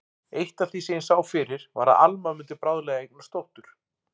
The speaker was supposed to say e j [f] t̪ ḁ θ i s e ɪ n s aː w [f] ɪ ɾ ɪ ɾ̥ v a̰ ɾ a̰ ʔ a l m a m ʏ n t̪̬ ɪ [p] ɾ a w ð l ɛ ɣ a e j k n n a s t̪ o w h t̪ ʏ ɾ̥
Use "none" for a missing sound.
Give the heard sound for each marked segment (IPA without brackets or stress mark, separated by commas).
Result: h, f, p